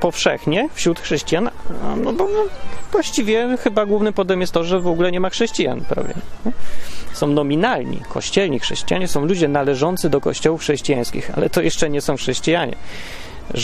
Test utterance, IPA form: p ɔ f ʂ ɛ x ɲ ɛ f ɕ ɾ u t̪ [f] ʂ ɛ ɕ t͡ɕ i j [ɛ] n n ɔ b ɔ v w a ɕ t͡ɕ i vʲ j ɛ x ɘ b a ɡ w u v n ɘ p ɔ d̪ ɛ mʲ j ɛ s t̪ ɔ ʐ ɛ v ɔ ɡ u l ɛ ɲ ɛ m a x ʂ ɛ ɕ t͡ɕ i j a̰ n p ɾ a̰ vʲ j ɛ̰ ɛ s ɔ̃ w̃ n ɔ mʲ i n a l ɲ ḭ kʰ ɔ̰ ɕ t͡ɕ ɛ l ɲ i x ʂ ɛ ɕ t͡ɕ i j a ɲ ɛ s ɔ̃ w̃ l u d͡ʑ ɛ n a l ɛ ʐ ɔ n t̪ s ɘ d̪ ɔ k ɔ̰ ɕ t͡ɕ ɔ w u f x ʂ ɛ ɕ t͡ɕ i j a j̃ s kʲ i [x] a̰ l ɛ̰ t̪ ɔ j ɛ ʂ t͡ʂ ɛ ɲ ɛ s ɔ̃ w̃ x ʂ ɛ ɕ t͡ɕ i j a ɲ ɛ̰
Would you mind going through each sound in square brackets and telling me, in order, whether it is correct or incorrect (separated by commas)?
incorrect, incorrect, correct